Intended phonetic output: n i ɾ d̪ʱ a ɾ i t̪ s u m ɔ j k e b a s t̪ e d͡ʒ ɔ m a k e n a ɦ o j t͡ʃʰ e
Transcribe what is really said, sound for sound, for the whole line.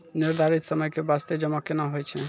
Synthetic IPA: n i ɾ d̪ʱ a ɾ i t̪ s ɔ m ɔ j k e b a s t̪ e d͡ʒ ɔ m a k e n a ɦ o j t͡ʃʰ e